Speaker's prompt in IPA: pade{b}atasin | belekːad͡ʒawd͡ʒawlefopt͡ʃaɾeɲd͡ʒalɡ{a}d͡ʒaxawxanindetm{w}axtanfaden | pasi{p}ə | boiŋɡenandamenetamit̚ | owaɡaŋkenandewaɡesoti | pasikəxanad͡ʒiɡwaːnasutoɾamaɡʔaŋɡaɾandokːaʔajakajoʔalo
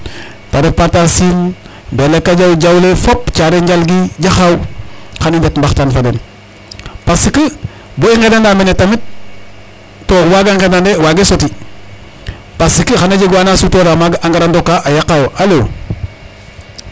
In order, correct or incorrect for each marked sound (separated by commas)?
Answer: incorrect, incorrect, incorrect, incorrect